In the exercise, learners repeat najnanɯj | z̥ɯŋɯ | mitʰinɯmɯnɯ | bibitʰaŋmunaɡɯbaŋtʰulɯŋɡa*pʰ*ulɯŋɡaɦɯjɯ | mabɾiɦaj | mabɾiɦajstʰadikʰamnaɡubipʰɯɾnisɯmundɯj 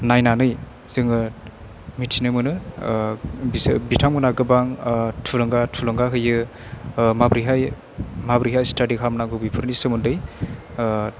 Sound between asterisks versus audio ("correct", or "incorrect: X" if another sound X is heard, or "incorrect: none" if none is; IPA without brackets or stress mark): incorrect: tʰ